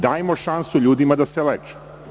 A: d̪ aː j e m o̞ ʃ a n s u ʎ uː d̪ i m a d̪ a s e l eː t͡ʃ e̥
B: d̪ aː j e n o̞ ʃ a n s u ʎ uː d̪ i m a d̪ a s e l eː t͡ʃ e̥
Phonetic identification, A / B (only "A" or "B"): A